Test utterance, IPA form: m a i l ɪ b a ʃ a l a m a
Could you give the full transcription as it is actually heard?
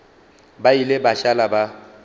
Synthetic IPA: b a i l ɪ b a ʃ a l a b a